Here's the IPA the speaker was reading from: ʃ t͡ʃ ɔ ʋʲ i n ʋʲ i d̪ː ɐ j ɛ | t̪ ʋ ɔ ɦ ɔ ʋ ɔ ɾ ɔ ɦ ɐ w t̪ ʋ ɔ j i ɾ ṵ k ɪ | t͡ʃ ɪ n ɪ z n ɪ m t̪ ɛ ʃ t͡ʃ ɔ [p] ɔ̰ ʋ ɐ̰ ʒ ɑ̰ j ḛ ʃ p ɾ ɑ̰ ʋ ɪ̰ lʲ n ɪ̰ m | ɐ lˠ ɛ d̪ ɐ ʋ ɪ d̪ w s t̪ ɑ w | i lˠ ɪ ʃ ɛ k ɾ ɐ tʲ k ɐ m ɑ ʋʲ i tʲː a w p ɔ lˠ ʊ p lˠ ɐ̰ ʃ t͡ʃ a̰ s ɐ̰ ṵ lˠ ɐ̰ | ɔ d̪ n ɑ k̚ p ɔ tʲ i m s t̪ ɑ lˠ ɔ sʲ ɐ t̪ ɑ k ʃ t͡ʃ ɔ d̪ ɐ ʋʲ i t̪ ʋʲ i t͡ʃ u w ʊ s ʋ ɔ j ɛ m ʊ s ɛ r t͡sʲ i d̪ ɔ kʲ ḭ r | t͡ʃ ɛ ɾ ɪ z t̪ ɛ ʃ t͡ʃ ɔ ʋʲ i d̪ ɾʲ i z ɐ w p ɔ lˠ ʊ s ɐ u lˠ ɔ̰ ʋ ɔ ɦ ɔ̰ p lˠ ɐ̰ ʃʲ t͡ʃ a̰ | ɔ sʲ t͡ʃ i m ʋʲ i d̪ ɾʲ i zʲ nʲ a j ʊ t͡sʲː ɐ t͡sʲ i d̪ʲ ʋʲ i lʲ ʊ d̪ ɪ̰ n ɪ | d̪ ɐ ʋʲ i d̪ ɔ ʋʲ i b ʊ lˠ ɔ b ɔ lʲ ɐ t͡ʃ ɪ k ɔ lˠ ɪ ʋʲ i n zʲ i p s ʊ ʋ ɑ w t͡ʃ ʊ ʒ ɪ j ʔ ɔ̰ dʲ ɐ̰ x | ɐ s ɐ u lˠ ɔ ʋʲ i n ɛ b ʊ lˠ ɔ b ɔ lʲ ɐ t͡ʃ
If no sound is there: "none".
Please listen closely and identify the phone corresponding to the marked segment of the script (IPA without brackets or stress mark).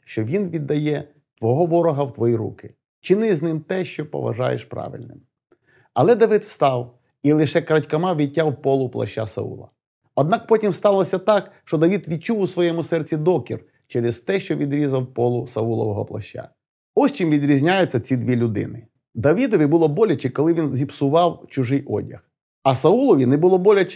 p